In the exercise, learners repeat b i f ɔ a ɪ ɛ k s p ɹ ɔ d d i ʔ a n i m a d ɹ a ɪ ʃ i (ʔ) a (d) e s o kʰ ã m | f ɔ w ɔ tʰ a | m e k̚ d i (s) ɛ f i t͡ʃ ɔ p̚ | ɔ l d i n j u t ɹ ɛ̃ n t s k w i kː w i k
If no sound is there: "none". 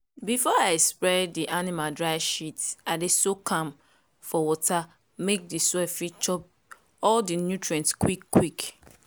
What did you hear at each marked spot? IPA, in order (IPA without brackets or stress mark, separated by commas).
t, d, s